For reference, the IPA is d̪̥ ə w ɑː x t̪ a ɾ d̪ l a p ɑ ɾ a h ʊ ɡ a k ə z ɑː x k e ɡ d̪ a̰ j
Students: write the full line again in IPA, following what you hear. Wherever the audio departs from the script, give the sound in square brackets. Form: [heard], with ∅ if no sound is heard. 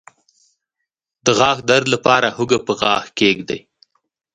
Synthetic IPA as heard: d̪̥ ə [ɣ] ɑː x [d̪] a ɾ d̪ l a p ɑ ɾ a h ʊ ɡ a [p] ə [ɣ] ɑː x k e ɡ d̪ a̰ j